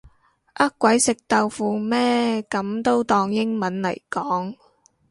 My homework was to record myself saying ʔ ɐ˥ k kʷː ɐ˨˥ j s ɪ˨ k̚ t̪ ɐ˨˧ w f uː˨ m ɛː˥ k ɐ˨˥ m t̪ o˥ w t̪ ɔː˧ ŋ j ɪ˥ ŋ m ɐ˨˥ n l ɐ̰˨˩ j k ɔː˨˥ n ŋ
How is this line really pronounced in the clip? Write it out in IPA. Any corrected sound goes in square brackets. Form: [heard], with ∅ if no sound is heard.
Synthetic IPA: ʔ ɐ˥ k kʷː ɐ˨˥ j s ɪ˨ k̚ t̪ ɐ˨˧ w f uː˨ m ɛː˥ k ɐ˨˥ m t̪ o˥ w t̪ ɔː˧ ŋ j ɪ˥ ŋ m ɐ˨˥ n l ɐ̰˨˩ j k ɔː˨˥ [∅] ŋ